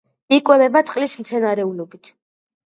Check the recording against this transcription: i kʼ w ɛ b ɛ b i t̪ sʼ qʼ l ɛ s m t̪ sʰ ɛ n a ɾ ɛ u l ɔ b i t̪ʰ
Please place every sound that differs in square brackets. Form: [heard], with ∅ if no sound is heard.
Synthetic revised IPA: i kʼ w ɛ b ɛ b [a] t̪ sʼ qʼ l [i] s m t̪ sʰ ɛ n a ɾ ɛ u l ɔ b i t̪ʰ